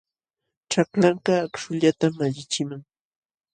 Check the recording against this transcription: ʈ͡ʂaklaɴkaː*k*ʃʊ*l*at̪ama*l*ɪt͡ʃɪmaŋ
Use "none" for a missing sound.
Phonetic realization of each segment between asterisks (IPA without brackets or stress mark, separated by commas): k, ʎ, ʎ